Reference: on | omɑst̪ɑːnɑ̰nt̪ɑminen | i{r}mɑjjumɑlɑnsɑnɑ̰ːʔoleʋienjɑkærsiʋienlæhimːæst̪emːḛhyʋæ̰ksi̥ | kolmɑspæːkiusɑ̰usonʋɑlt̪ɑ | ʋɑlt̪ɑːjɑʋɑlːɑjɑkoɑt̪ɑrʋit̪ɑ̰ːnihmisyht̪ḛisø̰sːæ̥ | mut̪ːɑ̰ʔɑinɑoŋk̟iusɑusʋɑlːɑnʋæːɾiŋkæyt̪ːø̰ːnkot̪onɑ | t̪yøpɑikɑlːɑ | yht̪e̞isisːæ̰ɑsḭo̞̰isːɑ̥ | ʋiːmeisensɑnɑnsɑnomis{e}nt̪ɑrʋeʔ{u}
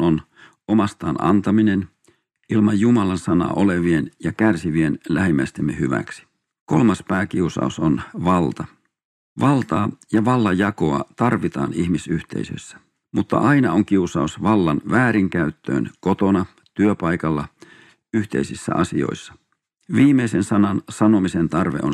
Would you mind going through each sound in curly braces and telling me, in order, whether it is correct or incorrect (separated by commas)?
incorrect, correct, incorrect